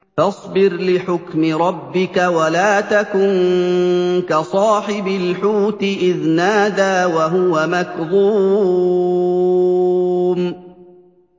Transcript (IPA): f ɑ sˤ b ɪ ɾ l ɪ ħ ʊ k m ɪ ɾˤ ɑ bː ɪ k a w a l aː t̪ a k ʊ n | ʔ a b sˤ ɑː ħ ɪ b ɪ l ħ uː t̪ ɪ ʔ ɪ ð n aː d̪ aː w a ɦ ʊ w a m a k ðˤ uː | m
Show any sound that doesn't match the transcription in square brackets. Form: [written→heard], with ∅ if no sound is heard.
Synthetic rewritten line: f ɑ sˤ b ɪ ɾ l ɪ ħ ʊ k m ɪ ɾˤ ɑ bː ɪ k a w a l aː t̪ a k ʊ n | [ʔ→k] a [b→∅] sˤ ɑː ħ ɪ b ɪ l ħ uː t̪ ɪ ʔ ɪ ð n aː d̪ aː w a ɦ ʊ w a m a k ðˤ uː | m